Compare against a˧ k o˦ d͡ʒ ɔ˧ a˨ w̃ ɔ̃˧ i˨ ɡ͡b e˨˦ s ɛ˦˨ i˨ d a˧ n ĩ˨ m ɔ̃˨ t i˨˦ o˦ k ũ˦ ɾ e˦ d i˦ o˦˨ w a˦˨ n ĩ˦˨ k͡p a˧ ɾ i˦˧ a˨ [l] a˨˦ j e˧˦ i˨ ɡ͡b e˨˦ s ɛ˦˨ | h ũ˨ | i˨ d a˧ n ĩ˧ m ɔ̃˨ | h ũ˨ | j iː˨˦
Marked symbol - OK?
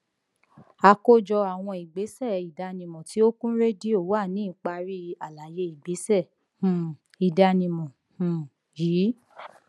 yes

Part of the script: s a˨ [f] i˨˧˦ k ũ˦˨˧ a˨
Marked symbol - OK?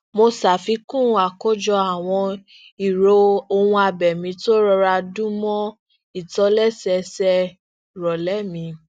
yes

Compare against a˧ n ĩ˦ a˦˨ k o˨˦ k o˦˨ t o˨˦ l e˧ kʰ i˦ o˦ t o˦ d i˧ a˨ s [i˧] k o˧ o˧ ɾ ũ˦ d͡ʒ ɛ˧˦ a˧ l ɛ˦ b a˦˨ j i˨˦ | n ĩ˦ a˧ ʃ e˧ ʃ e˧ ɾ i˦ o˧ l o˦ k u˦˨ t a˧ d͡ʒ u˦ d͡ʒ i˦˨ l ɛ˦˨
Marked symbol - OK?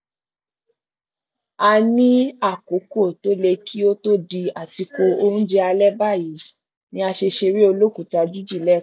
yes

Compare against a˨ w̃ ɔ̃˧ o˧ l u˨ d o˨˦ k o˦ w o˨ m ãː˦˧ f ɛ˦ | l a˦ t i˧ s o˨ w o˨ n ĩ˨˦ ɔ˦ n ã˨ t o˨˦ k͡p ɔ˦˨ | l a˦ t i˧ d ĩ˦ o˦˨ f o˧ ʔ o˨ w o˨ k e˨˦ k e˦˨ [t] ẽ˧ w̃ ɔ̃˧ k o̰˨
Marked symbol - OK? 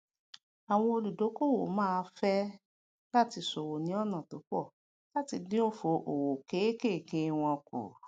no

